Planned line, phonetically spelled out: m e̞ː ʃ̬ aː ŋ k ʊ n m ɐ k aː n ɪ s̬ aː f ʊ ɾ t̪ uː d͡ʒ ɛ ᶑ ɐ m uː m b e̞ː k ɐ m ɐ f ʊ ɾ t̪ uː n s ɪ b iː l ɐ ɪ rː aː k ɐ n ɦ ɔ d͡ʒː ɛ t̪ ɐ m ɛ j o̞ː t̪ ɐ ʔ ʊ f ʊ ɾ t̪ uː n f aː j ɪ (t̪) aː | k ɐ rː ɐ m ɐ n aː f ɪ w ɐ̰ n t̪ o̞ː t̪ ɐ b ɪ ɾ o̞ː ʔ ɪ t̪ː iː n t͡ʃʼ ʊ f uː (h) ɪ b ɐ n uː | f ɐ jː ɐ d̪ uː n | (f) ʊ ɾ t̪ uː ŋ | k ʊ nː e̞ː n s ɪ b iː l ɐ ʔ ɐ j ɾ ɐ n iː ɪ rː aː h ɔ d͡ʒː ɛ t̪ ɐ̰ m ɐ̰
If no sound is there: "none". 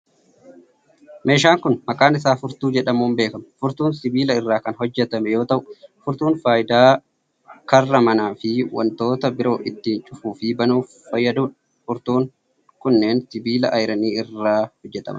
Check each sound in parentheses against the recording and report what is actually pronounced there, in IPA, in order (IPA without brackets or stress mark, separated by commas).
d̪, f, f